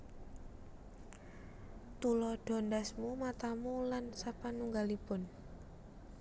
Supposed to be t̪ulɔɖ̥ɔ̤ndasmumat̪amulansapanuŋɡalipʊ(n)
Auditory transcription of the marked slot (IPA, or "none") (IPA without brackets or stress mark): n